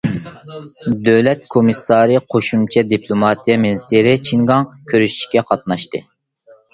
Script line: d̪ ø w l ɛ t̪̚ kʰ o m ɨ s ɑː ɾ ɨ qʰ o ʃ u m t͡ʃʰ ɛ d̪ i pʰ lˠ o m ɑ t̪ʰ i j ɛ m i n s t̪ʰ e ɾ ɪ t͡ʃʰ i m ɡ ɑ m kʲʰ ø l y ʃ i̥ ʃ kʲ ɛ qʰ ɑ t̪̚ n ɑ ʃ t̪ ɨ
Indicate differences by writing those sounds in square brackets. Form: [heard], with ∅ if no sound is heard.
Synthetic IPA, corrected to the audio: d̪ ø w l ɛ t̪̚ kʰ o m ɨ s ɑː ɾ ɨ qʰ o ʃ u m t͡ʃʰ ɛ d̪ i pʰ lˠ o m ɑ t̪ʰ i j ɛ m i n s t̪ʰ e ɾ ɪ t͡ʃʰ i [ŋ] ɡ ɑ [ŋ] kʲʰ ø [ɾ] y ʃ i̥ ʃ kʲ ɛ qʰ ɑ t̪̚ n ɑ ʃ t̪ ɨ

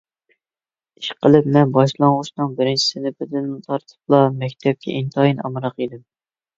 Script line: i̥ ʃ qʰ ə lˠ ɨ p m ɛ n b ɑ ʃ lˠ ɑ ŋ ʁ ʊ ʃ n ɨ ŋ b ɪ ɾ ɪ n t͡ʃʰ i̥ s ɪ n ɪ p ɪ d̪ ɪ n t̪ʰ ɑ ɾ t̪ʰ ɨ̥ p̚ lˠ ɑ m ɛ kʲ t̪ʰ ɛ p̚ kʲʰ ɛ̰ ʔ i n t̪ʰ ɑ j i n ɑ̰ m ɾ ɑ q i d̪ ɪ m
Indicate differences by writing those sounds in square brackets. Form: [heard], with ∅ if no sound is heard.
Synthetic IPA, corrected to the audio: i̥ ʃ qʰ ə lˠ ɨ p m ɛ n b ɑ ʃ lˠ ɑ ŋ ʁ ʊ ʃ n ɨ ŋ b ɪ ɾ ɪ n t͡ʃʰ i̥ s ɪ n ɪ p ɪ d̪ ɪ n t̪ʰ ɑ ɾ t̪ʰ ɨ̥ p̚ lˠ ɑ m ɛ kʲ t̪ʰ ɛ p̚ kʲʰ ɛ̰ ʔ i n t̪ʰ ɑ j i n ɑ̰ m ɾ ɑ q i d̪ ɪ m

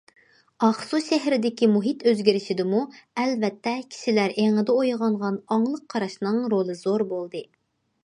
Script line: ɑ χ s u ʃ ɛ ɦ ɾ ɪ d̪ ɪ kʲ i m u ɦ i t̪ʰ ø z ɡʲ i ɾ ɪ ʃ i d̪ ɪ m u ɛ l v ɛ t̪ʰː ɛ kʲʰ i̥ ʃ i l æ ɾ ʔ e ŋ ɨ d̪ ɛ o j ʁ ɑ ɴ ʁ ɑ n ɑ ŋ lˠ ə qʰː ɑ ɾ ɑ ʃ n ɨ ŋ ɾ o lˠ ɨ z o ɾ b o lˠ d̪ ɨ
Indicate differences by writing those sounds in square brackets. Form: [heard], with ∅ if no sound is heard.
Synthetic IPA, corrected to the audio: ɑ χ s u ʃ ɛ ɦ ɾ ɪ d̪ ɪ kʲ i m u ɦ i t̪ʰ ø z ɡʲ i ɾ ɪ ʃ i d̪ ɪ m u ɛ l v ɛ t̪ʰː ɛ kʲʰ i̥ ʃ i l æ ɾ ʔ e ŋ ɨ d̪ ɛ o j ʁ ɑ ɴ ʁ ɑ n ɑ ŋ lˠ ə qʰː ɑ ɾ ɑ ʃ n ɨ ŋ ɾ o lˠ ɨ z o ɾ b o lˠ d̪ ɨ

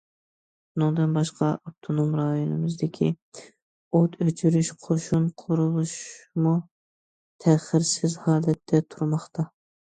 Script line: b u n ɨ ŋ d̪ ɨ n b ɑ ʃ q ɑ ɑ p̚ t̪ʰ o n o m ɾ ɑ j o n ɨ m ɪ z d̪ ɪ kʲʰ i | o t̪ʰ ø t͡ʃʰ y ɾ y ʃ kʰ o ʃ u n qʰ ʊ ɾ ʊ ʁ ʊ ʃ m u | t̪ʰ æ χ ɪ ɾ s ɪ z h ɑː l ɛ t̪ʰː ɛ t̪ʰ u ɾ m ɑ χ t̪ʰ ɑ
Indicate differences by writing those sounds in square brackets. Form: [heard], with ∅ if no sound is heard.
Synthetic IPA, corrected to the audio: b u n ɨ ŋ d̪ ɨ n b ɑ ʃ q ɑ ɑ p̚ t̪ʰ o n o m ɾ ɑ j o n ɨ m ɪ z d̪ ɪ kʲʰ i | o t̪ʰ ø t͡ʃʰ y ɾ y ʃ [qʰ] o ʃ u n qʰ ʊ ɾ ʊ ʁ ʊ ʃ m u | t̪ʰ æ χ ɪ ɾ s ɪ z h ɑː l ɛ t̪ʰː ɛ t̪ʰ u ɾ m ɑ χ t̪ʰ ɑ

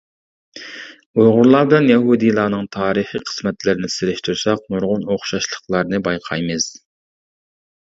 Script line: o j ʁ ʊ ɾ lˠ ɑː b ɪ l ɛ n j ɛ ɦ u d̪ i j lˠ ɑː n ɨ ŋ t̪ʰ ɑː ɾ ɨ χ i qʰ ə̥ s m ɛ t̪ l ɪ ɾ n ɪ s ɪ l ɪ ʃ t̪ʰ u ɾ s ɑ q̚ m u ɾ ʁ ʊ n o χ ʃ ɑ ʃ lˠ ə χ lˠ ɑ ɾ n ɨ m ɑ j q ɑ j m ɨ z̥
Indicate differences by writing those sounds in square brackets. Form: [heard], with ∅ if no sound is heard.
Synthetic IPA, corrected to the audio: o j ʁ ʊ ɾ lˠ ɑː b ɪ l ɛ n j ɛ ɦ u d̪ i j lˠ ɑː n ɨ ŋ t̪ʰ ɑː ɾ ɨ χ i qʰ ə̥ s m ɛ t̪ l ɪ ɾ n ɪ s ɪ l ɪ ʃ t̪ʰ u ɾ s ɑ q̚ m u ɾ ʁ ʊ n o χ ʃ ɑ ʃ lˠ ə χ lˠ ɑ ɾ n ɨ [b] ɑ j [qʰ] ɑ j m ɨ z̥

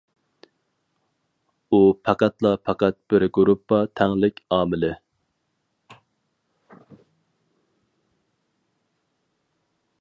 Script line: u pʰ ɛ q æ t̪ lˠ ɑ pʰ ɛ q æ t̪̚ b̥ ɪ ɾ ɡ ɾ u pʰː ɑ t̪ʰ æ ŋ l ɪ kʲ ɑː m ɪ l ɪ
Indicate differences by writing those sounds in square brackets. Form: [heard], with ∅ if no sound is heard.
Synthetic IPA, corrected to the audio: u pʰ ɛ q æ t̪ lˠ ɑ pʰ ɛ q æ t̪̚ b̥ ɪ ɾ ɡ ɾ u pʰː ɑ t̪ʰ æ ŋ l ɪ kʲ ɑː m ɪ l ɪ

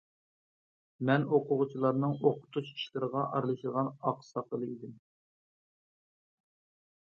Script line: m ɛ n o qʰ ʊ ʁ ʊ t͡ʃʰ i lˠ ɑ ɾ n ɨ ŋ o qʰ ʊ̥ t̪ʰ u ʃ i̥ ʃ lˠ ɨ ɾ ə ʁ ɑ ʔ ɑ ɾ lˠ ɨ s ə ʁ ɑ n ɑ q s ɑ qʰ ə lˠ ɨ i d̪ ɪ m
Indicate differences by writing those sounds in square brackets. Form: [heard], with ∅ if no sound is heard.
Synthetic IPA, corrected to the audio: m ɛ n o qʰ ʊ ʁ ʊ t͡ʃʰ i lˠ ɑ ɾ n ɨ ŋ o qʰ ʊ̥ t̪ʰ u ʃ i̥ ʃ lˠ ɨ ɾ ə ʁ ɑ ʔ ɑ ɾ lˠ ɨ [ʃ] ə ʁ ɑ n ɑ q s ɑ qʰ ə lˠ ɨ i d̪ ɪ m

